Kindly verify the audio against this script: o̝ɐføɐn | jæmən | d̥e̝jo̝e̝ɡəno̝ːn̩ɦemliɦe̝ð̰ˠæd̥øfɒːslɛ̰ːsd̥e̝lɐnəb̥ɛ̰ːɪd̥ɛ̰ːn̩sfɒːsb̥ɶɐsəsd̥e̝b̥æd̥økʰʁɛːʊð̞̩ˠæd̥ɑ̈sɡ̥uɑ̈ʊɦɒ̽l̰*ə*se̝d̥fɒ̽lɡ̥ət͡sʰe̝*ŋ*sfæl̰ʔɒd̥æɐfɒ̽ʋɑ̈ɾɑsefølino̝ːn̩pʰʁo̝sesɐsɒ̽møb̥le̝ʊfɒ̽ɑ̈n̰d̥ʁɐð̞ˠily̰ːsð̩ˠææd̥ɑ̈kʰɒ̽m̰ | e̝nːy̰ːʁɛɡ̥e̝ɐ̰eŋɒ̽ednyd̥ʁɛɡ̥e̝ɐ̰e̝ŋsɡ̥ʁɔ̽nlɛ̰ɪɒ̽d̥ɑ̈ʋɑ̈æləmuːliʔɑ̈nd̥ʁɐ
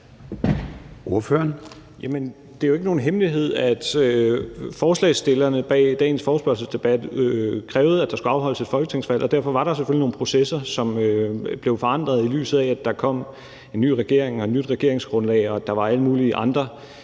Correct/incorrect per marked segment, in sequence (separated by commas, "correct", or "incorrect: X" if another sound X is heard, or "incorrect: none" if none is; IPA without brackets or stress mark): correct, correct